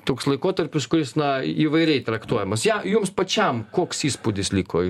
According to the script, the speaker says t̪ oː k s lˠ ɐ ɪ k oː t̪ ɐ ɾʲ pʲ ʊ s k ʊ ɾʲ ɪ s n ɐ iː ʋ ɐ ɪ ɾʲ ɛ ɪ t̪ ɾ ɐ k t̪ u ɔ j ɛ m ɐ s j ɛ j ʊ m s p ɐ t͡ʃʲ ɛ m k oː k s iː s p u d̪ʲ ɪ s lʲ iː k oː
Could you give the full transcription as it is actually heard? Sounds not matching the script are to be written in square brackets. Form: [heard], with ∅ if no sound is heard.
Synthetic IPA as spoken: t̪ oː k s lˠ ɐ ɪ k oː t̪ ɐ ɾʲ pʲ ʊ s k ʊ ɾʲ ɪ s n ɐ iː ʋ ɐ ɪ ɾʲ ɛ ɪ t̪ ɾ ɐ k t̪ u ɔ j ɛ m ɐ s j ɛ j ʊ m s p ɐ t͡ʃʲ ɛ m k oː k s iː s p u d̪ʲ ɪ s lʲ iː k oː